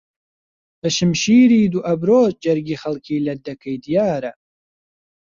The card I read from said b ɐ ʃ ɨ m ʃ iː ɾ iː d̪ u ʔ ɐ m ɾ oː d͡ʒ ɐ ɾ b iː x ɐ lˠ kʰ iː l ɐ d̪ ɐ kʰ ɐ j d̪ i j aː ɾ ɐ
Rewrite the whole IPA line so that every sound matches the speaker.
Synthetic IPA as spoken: b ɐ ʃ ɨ m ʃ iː ɾ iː d̪ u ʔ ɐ b ɾ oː d͡ʒ ɐ ɾ ɡ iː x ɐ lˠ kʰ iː l ɐ d̪ ɐ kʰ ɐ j d̪ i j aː ɾ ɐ